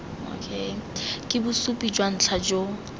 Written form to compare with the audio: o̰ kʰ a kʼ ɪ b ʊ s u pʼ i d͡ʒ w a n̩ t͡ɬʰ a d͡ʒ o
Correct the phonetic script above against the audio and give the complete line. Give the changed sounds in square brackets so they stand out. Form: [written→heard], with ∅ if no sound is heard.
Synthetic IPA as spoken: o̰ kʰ [a→e] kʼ ɪ b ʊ s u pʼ i d͡ʒ w a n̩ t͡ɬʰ a d͡ʒ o